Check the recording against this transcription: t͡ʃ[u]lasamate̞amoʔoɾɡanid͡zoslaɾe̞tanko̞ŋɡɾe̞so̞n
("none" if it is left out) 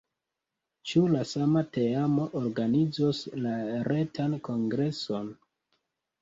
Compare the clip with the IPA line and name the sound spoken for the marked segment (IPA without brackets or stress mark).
u